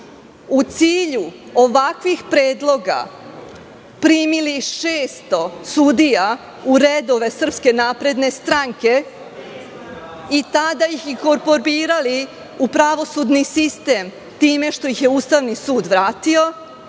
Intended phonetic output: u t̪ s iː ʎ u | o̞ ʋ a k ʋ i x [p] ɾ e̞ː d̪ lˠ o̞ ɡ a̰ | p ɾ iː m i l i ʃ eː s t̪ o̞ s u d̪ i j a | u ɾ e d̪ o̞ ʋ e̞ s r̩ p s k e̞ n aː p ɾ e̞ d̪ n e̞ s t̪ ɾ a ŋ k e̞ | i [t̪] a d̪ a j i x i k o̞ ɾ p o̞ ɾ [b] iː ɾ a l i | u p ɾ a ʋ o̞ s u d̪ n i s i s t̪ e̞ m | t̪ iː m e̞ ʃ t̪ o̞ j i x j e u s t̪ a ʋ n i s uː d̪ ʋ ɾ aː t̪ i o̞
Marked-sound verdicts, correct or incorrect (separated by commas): correct, correct, correct